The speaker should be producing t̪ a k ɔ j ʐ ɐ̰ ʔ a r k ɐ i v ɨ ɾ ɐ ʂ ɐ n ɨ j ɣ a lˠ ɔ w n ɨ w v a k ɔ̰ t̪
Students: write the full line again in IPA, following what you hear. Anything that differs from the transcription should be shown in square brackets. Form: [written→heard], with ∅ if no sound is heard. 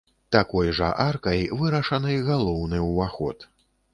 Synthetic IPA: t̪ a k ɔ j ʐ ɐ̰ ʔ a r k ɐ [i→j] v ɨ ɾ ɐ ʂ ɐ n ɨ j ɣ a lˠ ɔ w n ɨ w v a [k→x] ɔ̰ t̪